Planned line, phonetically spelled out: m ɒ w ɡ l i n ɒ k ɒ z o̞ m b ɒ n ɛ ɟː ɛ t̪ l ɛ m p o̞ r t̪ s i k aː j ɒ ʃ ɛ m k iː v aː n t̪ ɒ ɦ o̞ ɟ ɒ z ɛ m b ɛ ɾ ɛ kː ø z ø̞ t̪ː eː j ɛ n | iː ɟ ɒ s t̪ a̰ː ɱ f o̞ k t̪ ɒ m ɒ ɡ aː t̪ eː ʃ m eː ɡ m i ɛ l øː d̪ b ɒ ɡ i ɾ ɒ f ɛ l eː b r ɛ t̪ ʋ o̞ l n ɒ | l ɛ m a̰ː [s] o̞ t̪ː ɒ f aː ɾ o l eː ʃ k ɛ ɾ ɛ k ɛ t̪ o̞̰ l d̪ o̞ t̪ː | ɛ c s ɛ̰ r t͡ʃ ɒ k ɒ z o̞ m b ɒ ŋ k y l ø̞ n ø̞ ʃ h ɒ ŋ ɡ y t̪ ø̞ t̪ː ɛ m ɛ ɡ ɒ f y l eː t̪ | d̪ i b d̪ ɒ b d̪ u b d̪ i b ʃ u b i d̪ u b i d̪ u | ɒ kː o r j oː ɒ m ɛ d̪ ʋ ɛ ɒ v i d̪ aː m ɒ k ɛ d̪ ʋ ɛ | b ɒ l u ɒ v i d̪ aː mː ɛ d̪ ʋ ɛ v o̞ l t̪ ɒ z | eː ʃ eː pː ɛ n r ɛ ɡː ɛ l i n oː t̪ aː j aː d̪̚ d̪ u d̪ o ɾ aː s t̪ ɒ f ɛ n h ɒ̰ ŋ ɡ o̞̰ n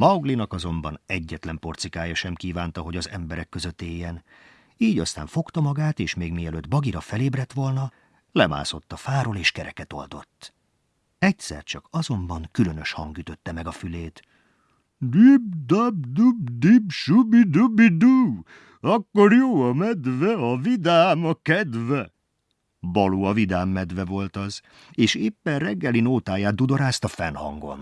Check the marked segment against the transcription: correct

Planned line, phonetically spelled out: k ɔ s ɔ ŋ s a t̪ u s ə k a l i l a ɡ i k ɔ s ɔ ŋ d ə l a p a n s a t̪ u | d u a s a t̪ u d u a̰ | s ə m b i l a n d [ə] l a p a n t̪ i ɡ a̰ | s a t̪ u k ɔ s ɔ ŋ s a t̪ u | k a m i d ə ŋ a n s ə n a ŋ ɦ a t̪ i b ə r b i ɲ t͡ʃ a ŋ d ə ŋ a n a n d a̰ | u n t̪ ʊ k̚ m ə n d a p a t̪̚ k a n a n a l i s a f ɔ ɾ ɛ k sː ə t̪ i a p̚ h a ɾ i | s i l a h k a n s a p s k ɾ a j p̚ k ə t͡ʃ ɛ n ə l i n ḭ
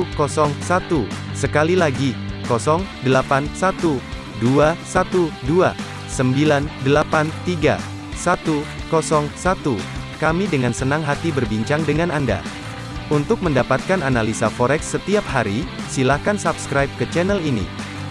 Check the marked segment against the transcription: correct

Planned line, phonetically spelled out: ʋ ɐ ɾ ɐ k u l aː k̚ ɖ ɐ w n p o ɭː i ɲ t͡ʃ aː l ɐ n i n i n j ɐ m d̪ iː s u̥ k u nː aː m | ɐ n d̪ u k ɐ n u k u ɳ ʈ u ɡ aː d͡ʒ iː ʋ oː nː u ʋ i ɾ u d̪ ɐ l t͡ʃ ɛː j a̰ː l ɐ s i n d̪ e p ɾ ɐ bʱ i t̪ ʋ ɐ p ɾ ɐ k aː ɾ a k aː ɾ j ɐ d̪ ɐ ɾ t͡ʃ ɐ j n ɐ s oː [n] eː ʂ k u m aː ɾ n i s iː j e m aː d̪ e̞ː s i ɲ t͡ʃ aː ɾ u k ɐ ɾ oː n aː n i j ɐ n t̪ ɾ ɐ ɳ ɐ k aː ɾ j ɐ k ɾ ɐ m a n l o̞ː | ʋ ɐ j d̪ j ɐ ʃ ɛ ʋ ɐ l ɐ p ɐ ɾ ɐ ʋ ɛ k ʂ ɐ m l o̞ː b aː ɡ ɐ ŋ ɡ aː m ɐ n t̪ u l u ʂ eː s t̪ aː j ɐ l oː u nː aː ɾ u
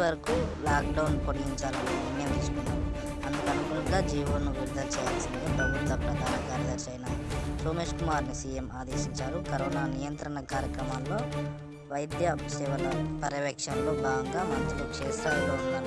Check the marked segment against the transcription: incorrect: m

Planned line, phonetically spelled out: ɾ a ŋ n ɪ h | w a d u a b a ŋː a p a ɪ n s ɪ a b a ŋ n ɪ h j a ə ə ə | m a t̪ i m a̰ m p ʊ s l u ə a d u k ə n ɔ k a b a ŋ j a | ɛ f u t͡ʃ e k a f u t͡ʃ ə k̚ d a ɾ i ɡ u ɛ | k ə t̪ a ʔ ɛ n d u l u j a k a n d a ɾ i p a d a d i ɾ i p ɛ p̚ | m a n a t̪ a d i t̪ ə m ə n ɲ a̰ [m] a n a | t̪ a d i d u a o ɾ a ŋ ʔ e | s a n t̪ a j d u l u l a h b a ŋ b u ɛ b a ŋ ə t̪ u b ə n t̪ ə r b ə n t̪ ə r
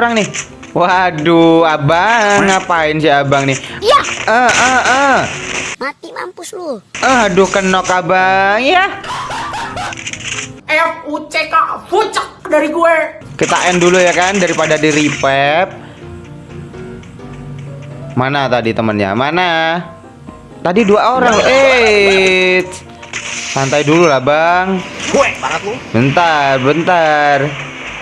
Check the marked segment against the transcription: correct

